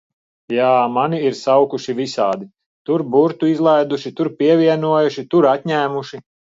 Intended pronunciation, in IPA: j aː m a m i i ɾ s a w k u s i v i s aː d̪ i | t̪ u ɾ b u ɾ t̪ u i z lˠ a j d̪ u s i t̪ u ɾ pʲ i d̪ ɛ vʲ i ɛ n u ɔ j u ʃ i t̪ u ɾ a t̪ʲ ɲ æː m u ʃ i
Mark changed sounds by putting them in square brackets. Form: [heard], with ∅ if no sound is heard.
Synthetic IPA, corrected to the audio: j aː m a [n] i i ɾ s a w k u [ʃ] i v i s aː d̪ i | t̪ u ɾ b u ɾ t̪ u i z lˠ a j d̪ u [ʃ] i t̪ u ɾ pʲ i [∅] ɛ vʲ i ɛ n u ɔ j u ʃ i t̪ u ɾ a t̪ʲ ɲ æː m u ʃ i